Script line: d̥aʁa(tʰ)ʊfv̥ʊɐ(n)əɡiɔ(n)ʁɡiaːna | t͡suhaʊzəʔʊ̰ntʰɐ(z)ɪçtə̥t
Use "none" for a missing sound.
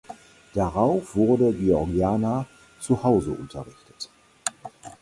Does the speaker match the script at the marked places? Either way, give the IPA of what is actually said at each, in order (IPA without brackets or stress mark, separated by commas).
none, d, none, ʁ